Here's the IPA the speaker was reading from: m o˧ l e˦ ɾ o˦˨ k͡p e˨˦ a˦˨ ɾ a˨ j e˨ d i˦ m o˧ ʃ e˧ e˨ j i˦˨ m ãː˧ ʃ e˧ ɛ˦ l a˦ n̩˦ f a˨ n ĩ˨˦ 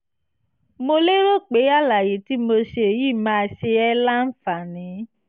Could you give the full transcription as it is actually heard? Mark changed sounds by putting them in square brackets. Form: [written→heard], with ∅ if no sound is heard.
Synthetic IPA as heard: m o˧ l e˦ ɾ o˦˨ k͡p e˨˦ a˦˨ [ɾ→l] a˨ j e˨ [d→t] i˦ m o˧ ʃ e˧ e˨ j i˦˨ m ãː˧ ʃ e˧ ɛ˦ l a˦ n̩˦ f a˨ n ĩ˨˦